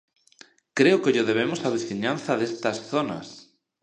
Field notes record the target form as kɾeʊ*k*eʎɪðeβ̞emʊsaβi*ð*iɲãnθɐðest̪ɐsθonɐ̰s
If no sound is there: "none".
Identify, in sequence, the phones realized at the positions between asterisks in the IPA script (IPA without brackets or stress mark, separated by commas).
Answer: k, θ